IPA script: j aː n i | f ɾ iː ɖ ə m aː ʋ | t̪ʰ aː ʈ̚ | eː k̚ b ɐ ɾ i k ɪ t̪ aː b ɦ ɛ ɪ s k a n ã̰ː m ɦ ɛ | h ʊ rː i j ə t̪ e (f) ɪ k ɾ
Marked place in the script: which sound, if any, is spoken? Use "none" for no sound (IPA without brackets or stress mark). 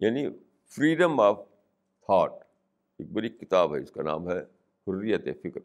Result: f